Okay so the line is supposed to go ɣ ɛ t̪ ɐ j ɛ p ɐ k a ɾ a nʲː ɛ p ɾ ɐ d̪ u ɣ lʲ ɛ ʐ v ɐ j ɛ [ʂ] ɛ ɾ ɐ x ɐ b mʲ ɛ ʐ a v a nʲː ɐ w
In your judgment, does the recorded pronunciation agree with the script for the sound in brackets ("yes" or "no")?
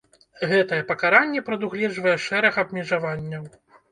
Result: yes